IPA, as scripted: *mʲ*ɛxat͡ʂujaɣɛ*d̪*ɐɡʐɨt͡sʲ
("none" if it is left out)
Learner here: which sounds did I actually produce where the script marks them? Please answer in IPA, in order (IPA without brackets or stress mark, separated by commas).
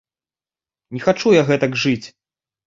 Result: nʲ, t̪